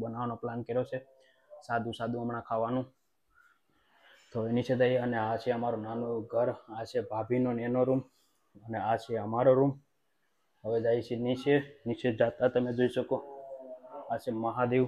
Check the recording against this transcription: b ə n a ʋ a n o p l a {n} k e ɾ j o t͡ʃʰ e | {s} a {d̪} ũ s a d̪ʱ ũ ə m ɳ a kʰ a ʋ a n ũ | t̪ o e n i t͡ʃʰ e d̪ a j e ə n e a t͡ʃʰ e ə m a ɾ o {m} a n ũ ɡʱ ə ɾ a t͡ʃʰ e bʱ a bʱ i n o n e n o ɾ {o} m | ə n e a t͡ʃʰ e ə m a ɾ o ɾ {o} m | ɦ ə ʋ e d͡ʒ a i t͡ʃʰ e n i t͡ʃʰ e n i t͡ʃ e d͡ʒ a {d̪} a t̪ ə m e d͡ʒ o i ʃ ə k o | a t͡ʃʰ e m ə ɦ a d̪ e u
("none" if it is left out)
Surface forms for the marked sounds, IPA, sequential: n, s, d̪, n, u, u, t̪

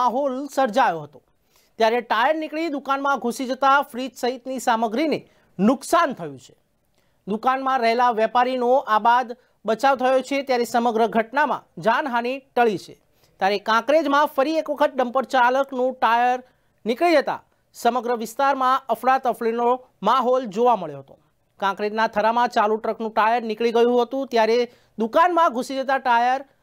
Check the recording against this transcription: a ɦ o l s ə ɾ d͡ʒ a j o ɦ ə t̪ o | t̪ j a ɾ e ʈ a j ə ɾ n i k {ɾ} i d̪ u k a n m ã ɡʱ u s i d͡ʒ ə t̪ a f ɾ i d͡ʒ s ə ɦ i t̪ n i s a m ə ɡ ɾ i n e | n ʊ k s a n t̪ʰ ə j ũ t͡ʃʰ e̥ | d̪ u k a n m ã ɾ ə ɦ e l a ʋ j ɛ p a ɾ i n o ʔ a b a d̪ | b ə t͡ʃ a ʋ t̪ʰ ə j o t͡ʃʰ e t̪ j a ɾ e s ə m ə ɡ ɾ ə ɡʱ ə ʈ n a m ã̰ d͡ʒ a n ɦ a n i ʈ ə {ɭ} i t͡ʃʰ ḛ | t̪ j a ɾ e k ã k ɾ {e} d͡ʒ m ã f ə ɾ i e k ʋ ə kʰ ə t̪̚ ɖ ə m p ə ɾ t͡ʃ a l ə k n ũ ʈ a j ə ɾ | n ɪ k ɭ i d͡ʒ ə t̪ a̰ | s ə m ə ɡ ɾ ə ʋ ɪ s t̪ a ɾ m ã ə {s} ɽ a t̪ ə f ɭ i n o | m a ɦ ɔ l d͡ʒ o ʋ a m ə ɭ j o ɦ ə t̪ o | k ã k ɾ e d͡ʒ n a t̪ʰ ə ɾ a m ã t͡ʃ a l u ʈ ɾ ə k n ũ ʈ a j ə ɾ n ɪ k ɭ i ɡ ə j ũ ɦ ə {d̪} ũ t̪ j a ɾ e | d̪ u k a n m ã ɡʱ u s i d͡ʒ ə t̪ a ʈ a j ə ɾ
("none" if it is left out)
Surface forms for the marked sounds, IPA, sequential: ɭ, ɭ, e, f, t̪

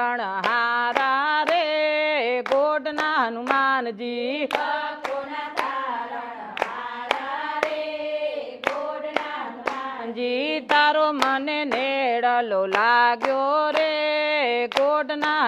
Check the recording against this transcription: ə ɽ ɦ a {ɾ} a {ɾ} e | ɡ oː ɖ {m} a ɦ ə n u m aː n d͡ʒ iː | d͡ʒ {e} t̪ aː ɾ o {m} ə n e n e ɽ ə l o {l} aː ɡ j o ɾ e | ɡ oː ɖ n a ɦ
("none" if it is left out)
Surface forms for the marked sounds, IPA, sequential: ɾ, ɾ, n, i, m, l

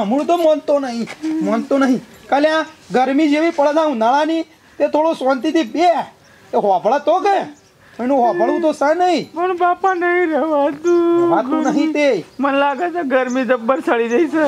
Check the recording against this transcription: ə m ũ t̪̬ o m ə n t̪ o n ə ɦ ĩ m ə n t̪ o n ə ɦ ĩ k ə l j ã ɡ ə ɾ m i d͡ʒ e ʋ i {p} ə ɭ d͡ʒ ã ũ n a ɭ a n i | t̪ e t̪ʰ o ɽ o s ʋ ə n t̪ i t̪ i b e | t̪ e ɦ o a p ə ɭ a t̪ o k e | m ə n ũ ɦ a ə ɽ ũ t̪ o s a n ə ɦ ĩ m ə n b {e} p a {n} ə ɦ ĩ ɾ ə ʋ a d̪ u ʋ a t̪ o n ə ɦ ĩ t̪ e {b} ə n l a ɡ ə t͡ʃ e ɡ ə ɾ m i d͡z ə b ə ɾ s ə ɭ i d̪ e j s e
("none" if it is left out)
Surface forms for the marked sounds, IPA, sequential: p, a, n, m

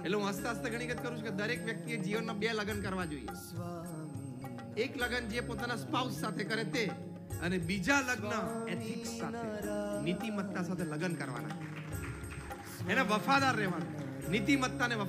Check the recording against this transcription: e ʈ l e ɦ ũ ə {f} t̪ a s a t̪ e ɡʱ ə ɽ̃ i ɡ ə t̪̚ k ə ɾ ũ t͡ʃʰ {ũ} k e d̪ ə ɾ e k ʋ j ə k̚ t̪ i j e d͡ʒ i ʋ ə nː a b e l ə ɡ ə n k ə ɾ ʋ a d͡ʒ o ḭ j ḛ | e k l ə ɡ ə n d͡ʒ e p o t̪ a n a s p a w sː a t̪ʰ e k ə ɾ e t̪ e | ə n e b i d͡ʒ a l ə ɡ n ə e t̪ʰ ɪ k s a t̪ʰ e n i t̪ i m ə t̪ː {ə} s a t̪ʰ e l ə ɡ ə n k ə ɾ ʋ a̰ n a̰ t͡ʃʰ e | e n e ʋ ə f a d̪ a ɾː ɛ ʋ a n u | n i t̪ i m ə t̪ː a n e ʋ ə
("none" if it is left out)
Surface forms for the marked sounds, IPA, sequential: s, u, a

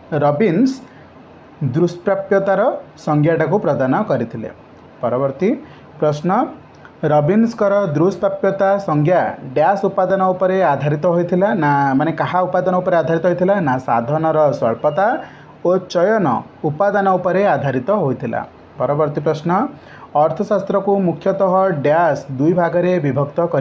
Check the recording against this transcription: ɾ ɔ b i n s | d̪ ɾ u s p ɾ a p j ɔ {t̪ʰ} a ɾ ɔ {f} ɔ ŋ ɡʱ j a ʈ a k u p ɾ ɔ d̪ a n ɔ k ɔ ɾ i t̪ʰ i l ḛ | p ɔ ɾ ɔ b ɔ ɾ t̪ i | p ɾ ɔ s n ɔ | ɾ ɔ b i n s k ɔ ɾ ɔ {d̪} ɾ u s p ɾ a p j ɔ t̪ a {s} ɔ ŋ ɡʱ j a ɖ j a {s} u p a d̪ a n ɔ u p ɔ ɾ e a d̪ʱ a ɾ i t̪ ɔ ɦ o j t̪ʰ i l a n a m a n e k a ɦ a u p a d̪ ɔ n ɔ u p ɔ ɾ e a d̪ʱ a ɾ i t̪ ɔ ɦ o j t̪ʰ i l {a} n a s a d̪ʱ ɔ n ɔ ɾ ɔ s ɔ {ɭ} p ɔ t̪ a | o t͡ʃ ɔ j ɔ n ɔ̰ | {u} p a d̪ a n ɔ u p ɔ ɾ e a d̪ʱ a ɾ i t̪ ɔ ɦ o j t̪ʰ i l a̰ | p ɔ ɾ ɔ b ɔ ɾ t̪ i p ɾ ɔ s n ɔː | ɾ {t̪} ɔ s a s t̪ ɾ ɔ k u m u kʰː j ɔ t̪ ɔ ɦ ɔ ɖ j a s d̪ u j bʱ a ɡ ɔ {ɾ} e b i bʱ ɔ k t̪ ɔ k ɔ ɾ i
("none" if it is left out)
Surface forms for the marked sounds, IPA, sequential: t̪, s, d̪, s, s, a, ɭ, u, t̪ʰ, ɾ

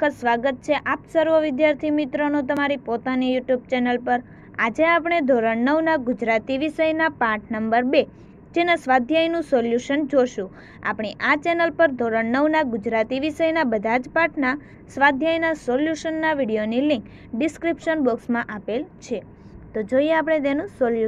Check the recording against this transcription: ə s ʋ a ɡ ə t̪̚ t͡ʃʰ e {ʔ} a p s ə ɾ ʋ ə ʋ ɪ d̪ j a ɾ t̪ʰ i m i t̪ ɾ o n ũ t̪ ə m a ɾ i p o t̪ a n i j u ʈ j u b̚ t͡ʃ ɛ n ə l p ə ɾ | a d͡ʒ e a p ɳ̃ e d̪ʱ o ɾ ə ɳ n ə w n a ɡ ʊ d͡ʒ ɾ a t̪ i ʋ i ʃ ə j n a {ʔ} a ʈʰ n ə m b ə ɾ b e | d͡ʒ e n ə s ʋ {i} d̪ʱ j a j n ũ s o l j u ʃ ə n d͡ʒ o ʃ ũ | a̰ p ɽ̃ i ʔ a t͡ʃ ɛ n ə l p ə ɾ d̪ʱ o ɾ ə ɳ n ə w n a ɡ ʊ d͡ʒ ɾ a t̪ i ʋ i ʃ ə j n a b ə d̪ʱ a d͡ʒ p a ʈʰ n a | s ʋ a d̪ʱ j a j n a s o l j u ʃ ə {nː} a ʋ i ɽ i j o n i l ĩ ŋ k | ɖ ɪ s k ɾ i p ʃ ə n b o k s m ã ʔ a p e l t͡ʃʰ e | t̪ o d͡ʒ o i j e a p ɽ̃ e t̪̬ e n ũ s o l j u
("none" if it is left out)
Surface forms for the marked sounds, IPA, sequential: ʔ, p, a, nː

